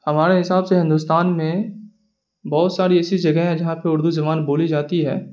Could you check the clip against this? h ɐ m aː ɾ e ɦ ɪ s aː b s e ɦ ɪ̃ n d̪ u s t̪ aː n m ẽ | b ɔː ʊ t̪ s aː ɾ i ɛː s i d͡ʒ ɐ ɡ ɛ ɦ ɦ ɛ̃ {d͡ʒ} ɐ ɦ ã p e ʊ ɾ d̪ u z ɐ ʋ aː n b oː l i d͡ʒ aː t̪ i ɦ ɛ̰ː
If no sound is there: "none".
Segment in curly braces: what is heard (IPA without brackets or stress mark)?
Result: d͡ʒ